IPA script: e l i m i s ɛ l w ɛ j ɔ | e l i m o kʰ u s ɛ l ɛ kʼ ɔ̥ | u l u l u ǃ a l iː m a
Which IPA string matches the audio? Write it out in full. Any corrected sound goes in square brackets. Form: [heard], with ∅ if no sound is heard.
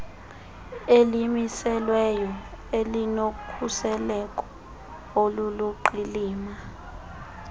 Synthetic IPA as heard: e l i m i s ɛ l w ɛ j ɔ | e l i [n] o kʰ u s ɛ l ɛ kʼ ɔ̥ | [o] l u l u ǃ [i] l iː m a